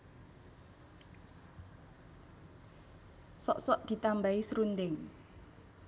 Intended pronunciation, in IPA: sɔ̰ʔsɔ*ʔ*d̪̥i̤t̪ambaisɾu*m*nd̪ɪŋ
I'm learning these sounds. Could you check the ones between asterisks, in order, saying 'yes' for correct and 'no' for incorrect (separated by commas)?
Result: yes, no